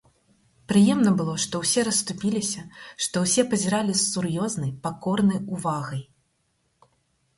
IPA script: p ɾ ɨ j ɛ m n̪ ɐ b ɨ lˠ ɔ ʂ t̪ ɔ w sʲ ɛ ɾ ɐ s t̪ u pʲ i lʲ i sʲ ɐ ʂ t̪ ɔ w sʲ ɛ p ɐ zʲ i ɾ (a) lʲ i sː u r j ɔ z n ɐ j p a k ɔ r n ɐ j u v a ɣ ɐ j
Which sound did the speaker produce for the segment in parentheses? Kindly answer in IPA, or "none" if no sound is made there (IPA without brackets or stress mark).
a